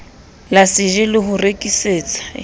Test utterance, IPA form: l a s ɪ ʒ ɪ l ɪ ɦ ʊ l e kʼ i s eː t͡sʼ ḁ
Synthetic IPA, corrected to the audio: l a s ɪ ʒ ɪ l ɪ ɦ ʊ r e kʼ i s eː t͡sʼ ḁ